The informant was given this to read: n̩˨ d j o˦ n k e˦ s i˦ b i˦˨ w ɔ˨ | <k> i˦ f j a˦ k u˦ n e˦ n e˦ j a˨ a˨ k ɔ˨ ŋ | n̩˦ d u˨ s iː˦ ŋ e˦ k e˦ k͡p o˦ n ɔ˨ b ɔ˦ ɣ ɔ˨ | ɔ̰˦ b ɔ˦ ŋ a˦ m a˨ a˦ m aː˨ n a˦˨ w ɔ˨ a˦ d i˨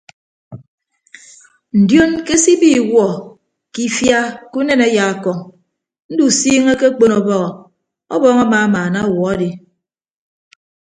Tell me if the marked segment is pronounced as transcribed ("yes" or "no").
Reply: yes